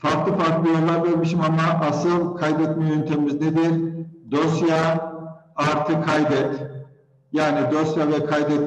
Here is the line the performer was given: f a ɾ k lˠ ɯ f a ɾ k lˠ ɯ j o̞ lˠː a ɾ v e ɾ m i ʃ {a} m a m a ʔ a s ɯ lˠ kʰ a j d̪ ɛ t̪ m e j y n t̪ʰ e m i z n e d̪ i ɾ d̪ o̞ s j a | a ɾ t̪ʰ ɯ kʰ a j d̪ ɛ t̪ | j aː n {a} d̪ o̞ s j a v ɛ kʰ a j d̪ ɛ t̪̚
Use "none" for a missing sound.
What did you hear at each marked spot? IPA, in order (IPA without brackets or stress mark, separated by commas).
i, i